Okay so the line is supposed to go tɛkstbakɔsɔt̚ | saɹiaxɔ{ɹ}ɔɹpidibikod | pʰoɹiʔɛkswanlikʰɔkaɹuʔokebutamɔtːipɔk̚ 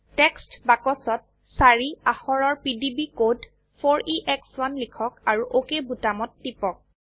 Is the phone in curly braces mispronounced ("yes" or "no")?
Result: no